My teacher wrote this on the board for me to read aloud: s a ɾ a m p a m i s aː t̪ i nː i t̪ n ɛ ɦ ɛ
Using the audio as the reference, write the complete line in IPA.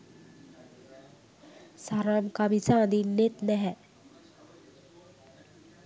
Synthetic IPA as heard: s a ɾ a m k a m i s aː d̪ i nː e t̪ n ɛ ɦ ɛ